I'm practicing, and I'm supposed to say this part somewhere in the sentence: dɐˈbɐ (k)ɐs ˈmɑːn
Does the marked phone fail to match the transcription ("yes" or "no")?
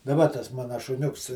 yes